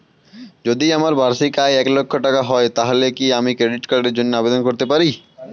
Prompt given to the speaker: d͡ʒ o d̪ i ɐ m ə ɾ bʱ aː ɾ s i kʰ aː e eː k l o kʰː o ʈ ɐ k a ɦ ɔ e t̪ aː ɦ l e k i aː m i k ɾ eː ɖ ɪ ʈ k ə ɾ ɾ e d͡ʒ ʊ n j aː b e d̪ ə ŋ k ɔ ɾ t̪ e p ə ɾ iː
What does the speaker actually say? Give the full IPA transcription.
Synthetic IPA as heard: d͡ʒ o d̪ i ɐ m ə ɾ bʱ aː ɾ s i k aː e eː k l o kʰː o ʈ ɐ k a ɦ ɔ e t̪ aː ɦ l e k i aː m i k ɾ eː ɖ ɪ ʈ k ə ɾ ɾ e d͡ʒ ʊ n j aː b e d̪ ə n k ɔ ɾ t̪ e p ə ɾ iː